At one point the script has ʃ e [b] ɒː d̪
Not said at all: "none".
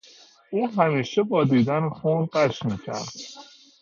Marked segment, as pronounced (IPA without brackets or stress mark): b